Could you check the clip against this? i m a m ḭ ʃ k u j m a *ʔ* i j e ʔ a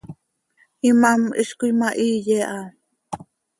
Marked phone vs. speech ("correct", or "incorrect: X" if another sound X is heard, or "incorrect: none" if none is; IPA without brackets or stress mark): correct